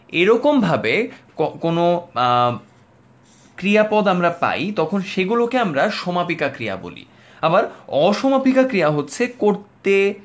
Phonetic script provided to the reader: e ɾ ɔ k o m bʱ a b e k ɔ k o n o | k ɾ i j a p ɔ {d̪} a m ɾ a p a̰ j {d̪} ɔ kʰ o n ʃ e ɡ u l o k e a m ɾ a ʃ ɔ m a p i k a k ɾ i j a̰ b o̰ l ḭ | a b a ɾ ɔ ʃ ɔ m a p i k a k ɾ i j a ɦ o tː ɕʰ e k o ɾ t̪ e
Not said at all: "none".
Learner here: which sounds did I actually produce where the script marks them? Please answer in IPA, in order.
d̪, t̪

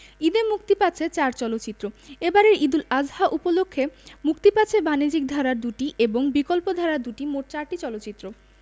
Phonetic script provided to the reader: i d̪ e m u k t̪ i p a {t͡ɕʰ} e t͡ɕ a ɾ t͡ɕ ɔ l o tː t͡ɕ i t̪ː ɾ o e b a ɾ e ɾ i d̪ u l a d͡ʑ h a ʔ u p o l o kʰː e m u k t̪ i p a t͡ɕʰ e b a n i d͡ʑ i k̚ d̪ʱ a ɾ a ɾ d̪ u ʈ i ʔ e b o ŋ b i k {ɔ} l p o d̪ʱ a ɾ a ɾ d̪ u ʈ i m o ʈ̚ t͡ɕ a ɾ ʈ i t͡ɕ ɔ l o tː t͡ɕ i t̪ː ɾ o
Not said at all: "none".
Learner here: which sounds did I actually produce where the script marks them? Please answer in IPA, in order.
t͡ɕʰ, o

